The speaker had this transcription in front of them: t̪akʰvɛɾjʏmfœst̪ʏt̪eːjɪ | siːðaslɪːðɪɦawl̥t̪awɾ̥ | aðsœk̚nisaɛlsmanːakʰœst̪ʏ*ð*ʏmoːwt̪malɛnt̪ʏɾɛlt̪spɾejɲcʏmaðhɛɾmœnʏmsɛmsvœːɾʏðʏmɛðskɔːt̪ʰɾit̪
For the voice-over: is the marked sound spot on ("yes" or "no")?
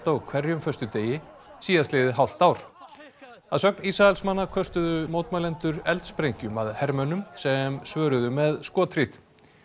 yes